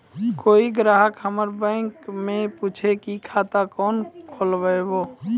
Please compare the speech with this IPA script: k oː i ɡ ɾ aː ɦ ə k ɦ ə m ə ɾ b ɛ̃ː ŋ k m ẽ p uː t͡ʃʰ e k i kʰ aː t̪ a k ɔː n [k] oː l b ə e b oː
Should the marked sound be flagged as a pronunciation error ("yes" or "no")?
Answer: yes